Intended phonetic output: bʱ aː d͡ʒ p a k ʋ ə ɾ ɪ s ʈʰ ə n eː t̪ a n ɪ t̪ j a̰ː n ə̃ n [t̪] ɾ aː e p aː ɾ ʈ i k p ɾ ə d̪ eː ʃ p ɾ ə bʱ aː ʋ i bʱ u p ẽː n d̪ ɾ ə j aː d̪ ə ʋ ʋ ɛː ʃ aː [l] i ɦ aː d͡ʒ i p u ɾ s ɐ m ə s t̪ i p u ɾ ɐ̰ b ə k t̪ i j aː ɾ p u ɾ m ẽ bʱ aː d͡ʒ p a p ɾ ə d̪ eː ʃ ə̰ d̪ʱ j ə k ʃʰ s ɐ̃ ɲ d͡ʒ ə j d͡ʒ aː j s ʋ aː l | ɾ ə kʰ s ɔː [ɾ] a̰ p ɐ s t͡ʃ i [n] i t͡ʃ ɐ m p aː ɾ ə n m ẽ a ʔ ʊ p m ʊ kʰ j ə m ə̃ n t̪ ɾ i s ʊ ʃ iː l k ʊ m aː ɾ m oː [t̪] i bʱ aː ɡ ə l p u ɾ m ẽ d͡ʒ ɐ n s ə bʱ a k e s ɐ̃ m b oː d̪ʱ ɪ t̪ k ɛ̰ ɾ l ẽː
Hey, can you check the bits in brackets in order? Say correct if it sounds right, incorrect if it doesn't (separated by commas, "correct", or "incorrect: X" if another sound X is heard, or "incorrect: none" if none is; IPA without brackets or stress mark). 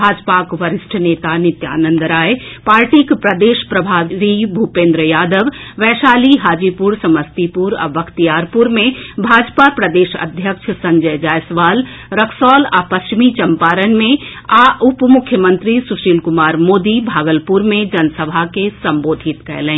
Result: incorrect: d̪, correct, incorrect: l, incorrect: m, incorrect: d̪